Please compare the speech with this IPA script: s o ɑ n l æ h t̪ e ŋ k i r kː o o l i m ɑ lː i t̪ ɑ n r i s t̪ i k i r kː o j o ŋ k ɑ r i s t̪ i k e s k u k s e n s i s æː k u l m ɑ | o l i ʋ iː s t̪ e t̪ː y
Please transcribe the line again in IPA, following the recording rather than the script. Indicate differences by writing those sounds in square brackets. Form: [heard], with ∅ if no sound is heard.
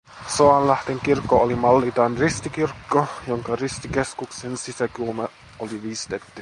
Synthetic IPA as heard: s o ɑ n l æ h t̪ e ŋ k i r kː o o l i m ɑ lː i t̪ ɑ n r i s t̪ i k i r kː o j o ŋ k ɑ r i s t̪ i k e s k u k s e n s i s [æ] k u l m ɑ | o l i ʋ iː s t̪ e t̪ː y